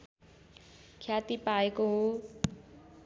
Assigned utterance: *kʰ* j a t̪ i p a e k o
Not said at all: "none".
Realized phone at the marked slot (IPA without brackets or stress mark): kʰ